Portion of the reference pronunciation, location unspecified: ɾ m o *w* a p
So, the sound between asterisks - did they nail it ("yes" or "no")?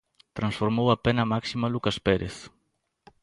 yes